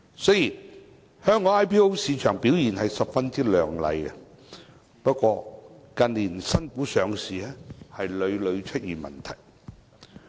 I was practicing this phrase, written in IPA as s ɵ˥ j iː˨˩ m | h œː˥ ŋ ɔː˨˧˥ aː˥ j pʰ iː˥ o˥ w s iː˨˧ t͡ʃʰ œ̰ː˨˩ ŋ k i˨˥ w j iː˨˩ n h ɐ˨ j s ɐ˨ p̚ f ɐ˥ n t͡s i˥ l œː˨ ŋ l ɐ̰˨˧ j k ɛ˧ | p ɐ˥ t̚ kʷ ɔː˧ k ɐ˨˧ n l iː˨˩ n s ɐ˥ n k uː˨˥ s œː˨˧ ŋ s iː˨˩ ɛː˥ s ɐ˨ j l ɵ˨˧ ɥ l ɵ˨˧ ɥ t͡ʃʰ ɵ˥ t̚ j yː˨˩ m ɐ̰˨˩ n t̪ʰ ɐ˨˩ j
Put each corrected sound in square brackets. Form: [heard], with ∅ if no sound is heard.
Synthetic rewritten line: s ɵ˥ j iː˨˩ [n] | h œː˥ ŋ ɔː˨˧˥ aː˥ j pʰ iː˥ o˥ w s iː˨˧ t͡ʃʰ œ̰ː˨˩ ŋ [p] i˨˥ w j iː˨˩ n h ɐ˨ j s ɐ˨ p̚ f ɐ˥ n t͡s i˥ l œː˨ ŋ l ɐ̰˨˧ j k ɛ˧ | p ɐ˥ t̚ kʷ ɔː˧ k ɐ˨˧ n l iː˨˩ n s ɐ˥ n k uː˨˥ s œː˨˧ ŋ s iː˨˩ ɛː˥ [h] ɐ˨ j l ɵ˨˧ ɥ l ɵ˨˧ ɥ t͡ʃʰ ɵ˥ t̚ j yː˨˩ m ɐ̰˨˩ n t̪ʰ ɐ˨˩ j

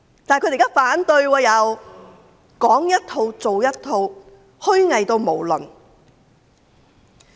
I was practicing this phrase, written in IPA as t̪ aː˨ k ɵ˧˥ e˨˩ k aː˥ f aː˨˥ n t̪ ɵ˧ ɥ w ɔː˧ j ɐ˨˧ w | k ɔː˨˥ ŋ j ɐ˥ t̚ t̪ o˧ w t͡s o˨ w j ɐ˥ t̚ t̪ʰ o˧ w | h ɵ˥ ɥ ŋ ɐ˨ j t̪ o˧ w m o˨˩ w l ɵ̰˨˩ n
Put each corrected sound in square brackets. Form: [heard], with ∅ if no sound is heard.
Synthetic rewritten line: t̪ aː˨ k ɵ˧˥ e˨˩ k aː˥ f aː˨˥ n t̪ ɵ˧ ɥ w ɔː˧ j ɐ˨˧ w | k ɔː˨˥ ŋ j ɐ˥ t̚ [t̪ʰ] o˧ w t͡s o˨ w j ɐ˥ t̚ t̪ʰ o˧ w | h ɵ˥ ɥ ŋ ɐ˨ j t̪ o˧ w m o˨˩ w l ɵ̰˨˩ n

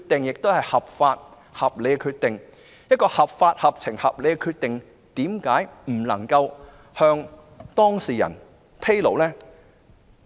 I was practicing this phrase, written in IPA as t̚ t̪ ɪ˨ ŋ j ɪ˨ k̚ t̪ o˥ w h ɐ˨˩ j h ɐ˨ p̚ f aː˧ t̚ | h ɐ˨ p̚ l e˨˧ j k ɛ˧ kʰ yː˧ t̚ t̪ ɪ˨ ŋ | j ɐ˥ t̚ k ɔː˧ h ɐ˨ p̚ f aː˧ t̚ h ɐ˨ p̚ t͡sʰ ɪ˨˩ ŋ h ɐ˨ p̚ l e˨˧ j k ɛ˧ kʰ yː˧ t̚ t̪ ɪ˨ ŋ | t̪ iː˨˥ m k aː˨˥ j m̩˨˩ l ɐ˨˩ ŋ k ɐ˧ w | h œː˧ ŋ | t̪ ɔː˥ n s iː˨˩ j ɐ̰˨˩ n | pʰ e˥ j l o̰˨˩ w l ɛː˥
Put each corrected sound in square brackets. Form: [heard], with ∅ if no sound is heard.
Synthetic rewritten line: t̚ t̪ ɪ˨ ŋ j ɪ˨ k̚ t̪ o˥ w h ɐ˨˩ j h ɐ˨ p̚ f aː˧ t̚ | h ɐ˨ p̚ l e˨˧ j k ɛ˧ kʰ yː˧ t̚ t̪ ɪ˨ ŋ | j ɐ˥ t̚ k ɔː˧ h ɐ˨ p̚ f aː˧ t̚ h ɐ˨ p̚ t͡sʰ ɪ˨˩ ŋ h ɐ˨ p̚ l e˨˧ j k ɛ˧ kʰ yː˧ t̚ t̪ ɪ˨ ŋ | t̪ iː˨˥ m k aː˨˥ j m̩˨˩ l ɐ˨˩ ŋ k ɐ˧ w | h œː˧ ŋ | t̪ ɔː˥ [ŋ] s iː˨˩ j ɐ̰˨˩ n | pʰ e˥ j l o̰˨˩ w l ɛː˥

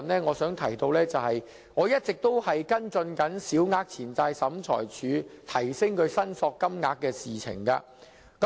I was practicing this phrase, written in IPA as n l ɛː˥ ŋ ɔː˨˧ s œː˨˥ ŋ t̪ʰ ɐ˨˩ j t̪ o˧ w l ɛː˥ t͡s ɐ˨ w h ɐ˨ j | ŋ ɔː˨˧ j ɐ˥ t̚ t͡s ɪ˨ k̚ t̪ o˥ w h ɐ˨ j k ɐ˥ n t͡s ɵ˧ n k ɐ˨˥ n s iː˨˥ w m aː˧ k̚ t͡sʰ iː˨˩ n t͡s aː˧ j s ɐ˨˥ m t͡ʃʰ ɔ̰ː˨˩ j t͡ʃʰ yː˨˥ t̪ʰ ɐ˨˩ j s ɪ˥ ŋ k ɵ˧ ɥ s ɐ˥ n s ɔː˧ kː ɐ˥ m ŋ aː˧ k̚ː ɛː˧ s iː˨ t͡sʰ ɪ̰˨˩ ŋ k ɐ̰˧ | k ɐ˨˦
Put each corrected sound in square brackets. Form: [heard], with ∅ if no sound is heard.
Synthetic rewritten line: n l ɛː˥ ŋ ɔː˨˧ s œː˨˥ ŋ t̪ʰ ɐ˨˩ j t̪ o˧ w l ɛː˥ t͡s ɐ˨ w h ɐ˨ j | ŋ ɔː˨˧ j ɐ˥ t̚ t͡s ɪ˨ k̚ t̪ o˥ w h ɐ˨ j k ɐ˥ n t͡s ɵ˧ n k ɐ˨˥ n s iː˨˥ w [ŋ] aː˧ k̚ t͡sʰ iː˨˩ n t͡s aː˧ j s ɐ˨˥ m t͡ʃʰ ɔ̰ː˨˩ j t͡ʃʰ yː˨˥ t̪ʰ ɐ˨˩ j s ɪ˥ ŋ k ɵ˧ ɥ s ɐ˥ n s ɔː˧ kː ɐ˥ m ŋ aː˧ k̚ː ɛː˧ s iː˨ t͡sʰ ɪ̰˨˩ ŋ k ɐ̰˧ | k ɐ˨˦

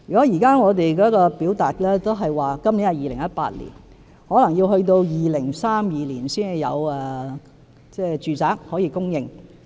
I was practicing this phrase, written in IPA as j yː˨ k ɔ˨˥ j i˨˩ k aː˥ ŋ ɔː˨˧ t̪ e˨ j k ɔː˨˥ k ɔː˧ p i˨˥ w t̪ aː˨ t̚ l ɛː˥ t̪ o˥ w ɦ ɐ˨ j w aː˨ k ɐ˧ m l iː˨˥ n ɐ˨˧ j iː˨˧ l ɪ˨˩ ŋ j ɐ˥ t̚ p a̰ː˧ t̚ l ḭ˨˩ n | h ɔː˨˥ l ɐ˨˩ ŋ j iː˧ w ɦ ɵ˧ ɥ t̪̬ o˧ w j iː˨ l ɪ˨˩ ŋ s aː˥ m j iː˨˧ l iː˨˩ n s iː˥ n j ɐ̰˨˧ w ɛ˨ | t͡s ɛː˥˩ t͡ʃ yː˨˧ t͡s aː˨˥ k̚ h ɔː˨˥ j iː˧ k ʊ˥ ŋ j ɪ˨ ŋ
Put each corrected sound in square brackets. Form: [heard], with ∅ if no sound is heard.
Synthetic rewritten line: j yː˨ k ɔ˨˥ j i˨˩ k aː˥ ŋ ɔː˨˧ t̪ e˨ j k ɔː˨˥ k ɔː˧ p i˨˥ w t̪ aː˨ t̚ l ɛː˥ t̪ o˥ w ɦ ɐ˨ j w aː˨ k [ɐ˥] m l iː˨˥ n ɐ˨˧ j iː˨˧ l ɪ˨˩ ŋ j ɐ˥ t̚ p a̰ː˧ t̚ l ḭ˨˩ n | h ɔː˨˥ l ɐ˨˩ ŋ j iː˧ w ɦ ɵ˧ ɥ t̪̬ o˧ w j iː˨ l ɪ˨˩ ŋ s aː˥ m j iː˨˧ l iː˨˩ n s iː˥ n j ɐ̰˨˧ w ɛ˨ | t͡s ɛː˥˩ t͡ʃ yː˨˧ t͡s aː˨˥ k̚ h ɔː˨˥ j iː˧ k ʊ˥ ŋ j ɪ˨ ŋ

